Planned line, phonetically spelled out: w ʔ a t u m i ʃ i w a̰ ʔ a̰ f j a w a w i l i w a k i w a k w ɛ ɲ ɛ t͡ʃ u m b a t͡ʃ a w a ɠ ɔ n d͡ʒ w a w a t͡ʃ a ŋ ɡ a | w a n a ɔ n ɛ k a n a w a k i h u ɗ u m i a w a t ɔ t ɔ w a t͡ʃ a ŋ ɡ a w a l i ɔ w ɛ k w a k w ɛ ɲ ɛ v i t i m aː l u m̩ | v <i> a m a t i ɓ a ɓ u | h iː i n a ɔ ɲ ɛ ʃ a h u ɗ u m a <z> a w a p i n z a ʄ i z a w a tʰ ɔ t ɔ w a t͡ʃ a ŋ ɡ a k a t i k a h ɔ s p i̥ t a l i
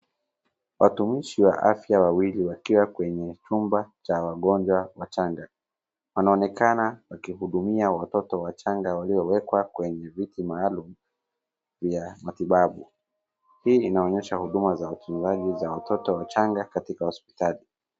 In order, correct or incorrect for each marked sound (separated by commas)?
incorrect, correct